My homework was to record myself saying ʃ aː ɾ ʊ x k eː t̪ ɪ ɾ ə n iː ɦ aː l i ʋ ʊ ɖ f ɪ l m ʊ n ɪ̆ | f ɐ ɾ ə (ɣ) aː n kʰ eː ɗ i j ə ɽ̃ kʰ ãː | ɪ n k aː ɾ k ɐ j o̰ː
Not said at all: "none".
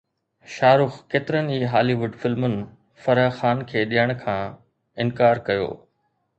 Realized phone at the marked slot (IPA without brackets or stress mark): x